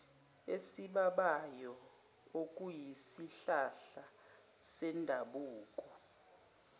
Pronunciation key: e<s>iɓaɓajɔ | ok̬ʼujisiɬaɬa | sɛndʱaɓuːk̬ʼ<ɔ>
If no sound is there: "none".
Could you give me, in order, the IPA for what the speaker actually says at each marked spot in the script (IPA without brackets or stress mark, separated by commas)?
s, ɔ